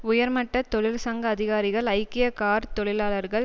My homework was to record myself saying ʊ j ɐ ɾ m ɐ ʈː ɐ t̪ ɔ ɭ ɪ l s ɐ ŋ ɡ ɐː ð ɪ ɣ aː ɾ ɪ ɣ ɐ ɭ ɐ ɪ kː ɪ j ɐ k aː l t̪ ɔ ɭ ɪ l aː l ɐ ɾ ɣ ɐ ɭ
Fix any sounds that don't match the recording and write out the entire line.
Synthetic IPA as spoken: ʊ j ɐ ɾ m ɐ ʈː ɐ t̪ ɔ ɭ ɪ l s ɐ ŋ ɡ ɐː ð ɪ ɣ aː ɾ ɪ ɣ ɐ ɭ ɐ ɪ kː ɪ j ɐ k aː ɾ t̪ ɔ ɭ ɪ l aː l ɐ ɾ ɣ ɐ ɭ